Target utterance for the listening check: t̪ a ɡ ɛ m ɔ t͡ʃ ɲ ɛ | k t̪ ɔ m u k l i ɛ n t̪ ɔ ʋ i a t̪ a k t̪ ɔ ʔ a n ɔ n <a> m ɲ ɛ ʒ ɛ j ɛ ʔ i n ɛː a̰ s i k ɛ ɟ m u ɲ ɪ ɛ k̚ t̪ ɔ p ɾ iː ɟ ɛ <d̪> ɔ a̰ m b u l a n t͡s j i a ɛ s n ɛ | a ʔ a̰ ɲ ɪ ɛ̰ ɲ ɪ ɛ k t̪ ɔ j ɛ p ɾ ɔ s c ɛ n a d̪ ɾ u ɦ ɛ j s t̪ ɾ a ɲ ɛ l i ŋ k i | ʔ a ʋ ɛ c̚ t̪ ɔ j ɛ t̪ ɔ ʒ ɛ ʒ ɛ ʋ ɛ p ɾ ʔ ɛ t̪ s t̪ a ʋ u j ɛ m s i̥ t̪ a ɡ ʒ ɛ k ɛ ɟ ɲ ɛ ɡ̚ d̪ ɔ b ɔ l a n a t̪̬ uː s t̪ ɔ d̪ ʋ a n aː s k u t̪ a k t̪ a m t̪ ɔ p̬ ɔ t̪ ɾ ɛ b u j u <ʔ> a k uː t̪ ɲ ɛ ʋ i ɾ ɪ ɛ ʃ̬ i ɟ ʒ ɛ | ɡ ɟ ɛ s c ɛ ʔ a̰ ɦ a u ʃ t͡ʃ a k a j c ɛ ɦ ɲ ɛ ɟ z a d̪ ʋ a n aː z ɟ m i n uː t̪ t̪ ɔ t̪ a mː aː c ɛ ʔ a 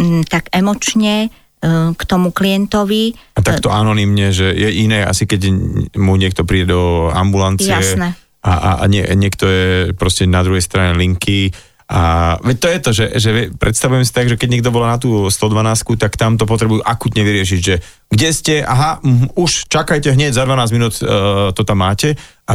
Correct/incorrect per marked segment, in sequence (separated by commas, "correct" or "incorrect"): incorrect, correct, correct